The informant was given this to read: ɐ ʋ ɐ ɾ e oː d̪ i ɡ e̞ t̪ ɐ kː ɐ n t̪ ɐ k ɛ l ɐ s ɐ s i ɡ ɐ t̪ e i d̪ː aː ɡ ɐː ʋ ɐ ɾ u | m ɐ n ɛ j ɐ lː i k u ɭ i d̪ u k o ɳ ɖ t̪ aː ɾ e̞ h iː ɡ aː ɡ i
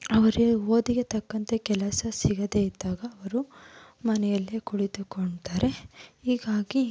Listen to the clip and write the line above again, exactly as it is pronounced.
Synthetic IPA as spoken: ɐ ʋ ɐ ɾ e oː d̪ i ɡ e̞ t̪ ɐ kː ɐ n t̪ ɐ k ɛ l ɐ s ɐ s i ɡ ɐ d̪ e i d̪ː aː ɡ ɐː ʋ ɐ ɾ u | m ɐ n ɛ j ɐ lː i k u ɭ i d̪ u k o ɳ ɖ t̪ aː ɾ e̞ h iː ɡ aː ɡ i